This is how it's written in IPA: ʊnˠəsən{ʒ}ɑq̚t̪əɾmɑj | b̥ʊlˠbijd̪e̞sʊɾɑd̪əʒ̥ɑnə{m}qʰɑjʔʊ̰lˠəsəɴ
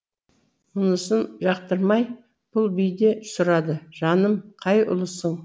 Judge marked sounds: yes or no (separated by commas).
yes, yes